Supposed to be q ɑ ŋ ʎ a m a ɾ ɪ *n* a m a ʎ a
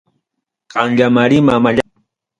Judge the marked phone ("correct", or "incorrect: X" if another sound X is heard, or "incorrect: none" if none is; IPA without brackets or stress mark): incorrect: m